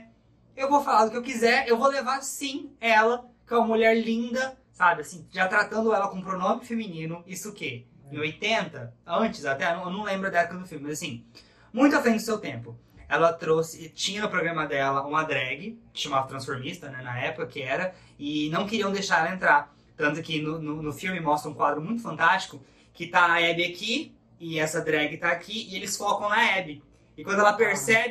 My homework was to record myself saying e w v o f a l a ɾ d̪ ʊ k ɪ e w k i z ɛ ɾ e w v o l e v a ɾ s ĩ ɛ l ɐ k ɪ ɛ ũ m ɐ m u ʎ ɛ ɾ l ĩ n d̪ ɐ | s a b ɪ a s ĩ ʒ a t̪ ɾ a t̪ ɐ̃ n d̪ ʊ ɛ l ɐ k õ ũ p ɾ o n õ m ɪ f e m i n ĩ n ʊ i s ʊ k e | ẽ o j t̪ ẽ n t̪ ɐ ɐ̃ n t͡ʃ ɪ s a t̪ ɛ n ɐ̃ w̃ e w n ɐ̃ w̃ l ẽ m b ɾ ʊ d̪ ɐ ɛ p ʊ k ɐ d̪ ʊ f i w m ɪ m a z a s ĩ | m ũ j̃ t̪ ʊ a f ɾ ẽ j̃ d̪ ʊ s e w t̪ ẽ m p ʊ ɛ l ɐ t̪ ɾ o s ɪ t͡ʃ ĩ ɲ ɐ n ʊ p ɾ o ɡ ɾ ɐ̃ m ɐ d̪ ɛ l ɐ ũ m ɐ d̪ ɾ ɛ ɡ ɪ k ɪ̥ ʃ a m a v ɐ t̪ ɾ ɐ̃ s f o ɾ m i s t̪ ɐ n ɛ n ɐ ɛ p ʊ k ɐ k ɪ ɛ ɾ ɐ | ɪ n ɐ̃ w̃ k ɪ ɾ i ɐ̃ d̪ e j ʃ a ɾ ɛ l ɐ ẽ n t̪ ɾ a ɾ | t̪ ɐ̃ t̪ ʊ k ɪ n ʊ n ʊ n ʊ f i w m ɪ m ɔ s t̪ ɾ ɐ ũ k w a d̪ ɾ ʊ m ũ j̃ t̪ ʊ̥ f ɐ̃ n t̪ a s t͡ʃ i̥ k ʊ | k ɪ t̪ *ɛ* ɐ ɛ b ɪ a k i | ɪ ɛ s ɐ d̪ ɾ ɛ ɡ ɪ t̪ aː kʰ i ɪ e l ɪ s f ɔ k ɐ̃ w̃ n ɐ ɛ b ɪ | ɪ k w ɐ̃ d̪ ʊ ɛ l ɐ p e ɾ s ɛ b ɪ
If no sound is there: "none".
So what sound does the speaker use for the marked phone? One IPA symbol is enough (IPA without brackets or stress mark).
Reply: a